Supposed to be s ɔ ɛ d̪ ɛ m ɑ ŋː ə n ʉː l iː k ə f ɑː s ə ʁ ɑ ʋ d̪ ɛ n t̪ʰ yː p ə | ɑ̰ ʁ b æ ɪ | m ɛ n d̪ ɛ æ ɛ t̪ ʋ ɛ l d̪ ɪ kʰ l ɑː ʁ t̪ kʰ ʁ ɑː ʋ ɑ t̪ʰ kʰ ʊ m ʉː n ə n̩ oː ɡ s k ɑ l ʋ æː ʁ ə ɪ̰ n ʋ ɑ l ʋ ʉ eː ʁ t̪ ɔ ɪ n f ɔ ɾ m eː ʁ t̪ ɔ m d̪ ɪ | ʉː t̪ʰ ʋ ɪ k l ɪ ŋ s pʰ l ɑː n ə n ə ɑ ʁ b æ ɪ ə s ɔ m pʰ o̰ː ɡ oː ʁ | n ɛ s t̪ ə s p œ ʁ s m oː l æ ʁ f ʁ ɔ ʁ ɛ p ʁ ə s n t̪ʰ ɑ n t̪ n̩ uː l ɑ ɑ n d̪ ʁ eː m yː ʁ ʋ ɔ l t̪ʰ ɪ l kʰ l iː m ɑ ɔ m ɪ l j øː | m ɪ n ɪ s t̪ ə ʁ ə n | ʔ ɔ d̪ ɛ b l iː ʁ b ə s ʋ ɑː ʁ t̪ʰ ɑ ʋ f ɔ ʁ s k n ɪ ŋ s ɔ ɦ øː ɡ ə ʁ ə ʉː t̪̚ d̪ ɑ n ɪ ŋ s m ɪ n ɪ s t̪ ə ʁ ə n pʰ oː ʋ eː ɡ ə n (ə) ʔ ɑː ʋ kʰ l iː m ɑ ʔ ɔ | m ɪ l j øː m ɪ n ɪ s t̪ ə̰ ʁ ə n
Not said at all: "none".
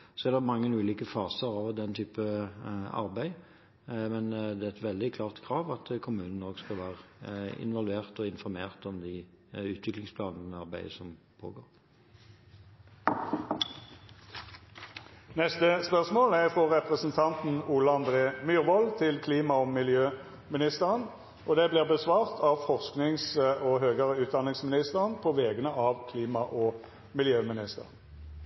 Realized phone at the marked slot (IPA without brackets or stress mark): ə